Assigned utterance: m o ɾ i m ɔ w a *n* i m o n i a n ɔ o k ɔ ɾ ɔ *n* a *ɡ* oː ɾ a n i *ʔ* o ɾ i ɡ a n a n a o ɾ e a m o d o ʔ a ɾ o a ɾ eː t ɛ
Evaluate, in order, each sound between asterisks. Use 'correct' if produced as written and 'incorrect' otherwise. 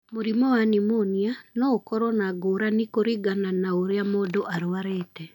correct, correct, correct, incorrect: k

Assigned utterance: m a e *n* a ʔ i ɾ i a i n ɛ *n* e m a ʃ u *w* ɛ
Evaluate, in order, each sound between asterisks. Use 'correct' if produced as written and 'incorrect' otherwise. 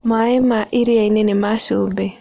incorrect: m, correct, incorrect: b

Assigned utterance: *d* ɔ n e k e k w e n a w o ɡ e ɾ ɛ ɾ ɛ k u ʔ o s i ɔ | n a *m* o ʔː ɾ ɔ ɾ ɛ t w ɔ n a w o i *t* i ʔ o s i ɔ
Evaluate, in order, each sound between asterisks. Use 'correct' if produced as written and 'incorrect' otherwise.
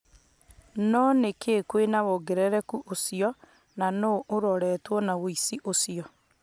incorrect: n, incorrect: n, incorrect: s

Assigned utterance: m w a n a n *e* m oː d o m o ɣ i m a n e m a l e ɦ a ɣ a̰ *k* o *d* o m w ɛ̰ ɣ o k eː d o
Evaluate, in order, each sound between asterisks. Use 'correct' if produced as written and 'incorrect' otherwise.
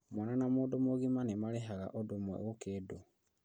incorrect: a, incorrect: ʔ, correct

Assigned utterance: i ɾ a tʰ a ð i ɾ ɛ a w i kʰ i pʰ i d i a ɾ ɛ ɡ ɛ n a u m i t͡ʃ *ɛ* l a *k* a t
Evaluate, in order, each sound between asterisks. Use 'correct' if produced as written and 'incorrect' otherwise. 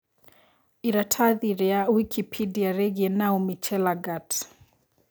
correct, incorrect: ɡ

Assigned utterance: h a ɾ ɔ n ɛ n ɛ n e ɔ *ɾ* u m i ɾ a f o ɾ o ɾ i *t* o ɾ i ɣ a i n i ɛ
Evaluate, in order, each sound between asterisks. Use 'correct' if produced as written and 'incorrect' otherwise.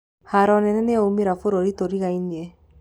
incorrect: none, correct

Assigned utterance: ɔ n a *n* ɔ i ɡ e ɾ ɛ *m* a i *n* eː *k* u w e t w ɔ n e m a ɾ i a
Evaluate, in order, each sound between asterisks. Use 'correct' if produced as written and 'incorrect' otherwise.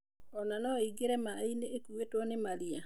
correct, correct, correct, correct

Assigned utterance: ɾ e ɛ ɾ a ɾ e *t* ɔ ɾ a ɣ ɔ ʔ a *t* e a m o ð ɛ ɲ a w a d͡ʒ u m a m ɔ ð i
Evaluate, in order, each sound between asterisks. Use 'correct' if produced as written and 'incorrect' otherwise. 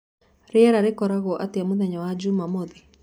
incorrect: k, correct

